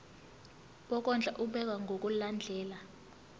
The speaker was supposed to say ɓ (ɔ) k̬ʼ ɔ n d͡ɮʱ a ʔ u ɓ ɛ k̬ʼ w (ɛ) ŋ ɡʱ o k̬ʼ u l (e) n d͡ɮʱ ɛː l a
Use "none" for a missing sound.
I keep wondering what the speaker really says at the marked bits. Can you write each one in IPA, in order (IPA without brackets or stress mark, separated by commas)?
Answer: ɔ, a, a